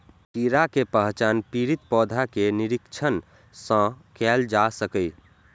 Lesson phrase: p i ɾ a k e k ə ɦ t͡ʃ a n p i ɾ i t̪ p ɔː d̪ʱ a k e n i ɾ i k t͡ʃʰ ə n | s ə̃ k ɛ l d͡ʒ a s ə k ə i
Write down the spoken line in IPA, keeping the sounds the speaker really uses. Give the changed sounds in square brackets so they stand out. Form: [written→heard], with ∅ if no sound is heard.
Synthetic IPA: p i ɾ a k e [k→p] ə ɦ t͡ʃ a n p i ɾ i t̪ p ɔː d̪ʱ a k e n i ɾ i k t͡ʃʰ ə n | s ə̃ k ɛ l d͡ʒ a s ə k ə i